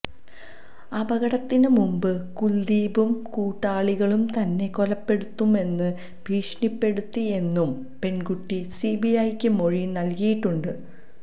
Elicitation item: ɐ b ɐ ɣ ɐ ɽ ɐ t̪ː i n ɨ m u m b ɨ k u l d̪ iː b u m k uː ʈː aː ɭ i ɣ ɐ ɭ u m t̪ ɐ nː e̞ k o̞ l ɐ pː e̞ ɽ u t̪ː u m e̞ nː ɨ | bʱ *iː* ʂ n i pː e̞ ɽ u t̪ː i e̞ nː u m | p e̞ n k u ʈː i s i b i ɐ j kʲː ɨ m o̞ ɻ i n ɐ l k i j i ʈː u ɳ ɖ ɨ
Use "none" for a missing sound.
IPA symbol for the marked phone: iː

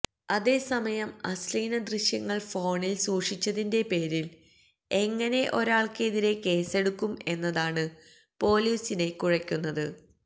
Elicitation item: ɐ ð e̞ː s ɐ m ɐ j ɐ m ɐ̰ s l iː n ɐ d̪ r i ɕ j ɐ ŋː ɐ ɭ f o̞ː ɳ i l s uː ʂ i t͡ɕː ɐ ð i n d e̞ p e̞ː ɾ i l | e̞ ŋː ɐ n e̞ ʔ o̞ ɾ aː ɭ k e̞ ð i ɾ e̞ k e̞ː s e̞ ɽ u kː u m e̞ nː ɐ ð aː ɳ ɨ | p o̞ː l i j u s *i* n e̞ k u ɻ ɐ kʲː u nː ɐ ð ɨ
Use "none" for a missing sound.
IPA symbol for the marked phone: i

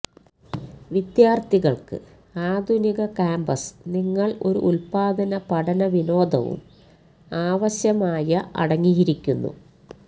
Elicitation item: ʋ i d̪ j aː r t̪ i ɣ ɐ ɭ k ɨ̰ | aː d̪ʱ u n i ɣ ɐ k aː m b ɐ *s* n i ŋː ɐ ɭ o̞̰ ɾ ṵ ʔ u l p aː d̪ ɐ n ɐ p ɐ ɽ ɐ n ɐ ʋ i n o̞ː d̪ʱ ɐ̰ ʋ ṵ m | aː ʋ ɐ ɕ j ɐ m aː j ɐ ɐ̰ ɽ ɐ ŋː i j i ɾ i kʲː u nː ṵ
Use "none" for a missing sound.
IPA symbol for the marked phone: s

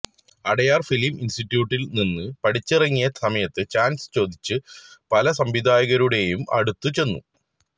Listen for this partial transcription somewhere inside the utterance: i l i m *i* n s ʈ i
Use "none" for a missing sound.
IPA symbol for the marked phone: i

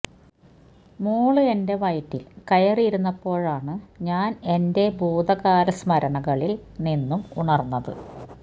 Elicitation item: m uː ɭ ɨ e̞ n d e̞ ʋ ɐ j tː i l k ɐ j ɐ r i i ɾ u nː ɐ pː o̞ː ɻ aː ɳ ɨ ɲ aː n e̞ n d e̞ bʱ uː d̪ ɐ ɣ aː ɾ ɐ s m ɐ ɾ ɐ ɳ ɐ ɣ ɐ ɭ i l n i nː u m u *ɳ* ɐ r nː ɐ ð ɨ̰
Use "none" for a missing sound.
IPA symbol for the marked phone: ɳ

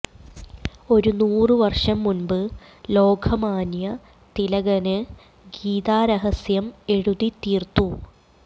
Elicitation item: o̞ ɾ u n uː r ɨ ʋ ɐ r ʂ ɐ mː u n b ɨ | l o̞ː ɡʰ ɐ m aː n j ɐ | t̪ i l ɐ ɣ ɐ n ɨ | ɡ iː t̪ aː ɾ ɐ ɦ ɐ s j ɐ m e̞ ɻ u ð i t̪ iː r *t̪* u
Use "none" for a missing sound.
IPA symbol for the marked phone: t̪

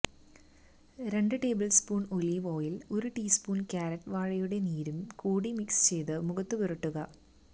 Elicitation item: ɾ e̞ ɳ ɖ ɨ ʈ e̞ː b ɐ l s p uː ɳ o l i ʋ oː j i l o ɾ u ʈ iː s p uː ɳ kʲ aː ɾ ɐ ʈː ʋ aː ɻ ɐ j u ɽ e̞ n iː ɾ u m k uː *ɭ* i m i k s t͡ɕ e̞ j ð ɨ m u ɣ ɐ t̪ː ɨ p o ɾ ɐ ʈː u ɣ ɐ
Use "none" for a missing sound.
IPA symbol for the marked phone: ɽ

